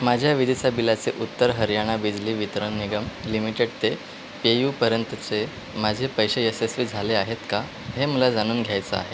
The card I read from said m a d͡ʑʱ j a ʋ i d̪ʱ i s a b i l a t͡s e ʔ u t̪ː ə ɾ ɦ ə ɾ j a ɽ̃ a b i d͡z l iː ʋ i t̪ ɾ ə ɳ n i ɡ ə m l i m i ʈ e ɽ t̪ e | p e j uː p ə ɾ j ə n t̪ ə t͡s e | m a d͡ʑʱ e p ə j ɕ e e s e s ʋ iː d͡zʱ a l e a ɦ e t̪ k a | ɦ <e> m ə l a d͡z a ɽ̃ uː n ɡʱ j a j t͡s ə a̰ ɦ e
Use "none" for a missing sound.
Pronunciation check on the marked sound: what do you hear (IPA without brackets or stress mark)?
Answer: e